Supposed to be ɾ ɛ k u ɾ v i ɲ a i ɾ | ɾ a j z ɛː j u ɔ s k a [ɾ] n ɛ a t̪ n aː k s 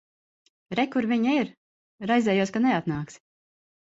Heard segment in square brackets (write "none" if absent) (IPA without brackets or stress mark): none